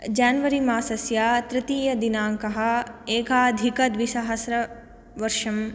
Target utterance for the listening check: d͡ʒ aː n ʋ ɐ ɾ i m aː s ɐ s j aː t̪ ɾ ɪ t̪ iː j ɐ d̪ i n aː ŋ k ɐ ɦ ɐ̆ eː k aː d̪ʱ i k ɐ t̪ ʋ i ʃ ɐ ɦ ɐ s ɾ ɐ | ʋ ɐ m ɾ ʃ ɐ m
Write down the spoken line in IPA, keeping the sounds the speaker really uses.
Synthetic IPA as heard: d͡ʒ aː n ʋ ɐ ɾ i m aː s ɐ s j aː t̪ ɾ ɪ t̪ iː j ɐ d̪ i n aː ŋ k ɐ ɦ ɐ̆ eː k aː d̪ʱ i k ɐ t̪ ʋ i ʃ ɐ ɦ ɐ s ɾ ɐ | ʋ ɐ ɾ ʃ ɐ m